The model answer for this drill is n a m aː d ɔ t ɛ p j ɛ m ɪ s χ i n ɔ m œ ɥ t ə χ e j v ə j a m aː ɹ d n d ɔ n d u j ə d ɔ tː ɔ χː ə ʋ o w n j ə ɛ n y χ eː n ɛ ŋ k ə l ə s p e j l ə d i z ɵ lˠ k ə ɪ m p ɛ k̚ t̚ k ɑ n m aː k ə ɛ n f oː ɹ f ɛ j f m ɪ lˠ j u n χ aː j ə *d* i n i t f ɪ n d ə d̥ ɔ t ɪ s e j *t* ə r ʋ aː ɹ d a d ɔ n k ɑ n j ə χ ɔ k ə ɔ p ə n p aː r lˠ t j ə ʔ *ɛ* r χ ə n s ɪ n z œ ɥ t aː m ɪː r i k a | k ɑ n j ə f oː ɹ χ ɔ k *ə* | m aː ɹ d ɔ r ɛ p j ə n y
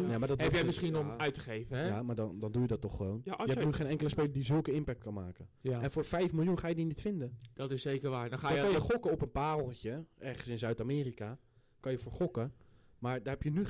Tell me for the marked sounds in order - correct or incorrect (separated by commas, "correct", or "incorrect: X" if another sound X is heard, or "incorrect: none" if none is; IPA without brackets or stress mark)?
correct, incorrect: k, correct, correct